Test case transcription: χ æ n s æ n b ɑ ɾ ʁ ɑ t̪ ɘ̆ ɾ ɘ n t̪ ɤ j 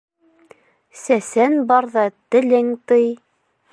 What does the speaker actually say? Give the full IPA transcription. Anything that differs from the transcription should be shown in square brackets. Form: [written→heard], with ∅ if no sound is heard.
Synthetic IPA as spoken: [χ→s] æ [n→∅] s æ n b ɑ ɾ [ʁ→ð] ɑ t̪ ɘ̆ [ɾ→l] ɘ [n→ŋ] t̪ ɤ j